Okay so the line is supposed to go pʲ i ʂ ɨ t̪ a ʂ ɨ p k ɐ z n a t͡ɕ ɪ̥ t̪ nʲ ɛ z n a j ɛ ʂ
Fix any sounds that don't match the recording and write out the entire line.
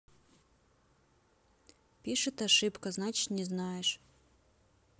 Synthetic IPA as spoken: pʲ i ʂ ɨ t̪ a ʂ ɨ p k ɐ z n a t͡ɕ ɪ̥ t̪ nʲ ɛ z n a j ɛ ʂ